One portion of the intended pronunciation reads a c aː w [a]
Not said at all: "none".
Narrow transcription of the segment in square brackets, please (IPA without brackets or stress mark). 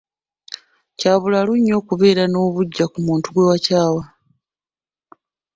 a